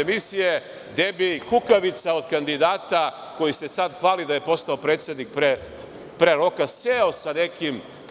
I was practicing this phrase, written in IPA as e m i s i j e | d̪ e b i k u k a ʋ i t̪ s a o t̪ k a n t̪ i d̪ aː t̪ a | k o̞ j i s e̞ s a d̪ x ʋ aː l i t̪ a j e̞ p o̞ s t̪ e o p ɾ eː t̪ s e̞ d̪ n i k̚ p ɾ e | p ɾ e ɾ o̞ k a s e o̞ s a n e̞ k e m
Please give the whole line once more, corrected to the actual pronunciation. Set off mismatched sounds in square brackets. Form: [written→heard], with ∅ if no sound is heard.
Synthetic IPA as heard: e m i s i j e | d̪ e b i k u k a ʋ i t̪ s a o [t̪→d̪] k a n [t̪→d̪] i d̪ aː t̪ a | k o̞ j i s e̞ s a d̪ x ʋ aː l i [t̪→d̪] a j e̞ p o̞ s t̪ [e→a] o p ɾ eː t̪ s e̞ d̪ n i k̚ p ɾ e | p ɾ e ɾ o̞ k a s e o̞ s a n e̞ k [e→i] m